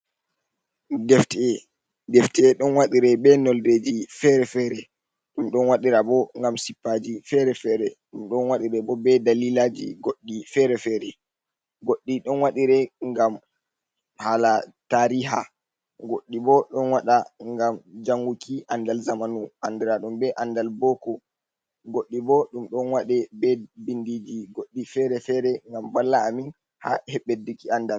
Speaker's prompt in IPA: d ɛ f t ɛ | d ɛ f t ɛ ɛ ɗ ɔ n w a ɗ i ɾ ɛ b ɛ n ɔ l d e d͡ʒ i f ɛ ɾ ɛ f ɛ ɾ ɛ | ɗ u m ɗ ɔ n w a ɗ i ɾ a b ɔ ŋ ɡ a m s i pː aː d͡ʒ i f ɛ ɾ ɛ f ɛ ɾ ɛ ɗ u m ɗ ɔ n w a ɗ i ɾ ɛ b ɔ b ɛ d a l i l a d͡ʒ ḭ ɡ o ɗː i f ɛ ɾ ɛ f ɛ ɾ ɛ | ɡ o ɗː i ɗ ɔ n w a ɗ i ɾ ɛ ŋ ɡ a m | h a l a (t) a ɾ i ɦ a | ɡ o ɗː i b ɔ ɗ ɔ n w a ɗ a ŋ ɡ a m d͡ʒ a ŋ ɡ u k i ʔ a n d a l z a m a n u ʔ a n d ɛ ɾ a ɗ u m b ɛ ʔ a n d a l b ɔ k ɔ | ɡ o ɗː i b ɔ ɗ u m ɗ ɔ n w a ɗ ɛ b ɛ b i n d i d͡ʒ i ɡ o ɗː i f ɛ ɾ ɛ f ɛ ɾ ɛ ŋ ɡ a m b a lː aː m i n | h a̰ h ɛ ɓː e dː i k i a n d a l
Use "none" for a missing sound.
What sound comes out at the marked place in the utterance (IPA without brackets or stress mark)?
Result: t